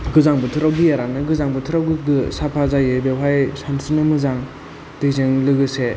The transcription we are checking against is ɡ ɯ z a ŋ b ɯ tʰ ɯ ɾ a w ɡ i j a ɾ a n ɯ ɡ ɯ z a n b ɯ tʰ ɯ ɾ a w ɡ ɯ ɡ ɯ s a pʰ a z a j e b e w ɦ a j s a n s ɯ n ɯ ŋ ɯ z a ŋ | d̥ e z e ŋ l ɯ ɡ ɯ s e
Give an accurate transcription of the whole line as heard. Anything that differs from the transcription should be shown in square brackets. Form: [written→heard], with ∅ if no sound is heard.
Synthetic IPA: ɡ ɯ z a ŋ b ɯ tʰ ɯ ɾ a w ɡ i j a ɾ a n ɯ ɡ ɯ z a [n→ŋ] b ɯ tʰ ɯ ɾ a w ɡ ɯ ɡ ɯ s a pʰ a z a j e b e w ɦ a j s a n s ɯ n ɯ [ŋ→m] ɯ z a ŋ | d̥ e z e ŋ l ɯ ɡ ɯ s e